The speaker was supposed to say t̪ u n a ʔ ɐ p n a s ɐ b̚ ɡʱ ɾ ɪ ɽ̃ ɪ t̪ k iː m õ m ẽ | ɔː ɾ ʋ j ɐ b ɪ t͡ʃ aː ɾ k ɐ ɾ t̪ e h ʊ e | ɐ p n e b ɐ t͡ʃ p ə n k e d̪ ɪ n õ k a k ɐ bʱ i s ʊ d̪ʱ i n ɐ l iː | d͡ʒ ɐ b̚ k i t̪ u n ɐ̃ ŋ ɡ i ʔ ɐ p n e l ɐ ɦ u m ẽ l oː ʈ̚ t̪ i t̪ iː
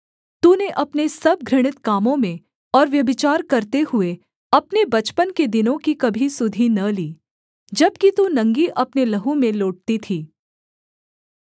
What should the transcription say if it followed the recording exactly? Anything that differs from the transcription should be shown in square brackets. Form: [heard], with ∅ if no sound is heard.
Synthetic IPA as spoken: t̪ u n [e] ʔ ɐ p n [e] s ɐ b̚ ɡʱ ɾ ɪ ɽ̃ ɪ t̪ k [aː] m õ m ẽ | ɔː ɾ ʋ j ɐ b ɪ t͡ʃ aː ɾ k ɐ ɾ t̪ e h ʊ e | ɐ p n e b ɐ t͡ʃ p ə n k e d̪ ɪ n õ k [i] k ɐ bʱ i s ʊ d̪ʱ i n ɐ l iː | d͡ʒ ɐ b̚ k i t̪ u n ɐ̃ ŋ ɡ i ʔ ɐ p n e l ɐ ɦ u m ẽ l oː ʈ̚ t̪ i [t̪ʰ] iː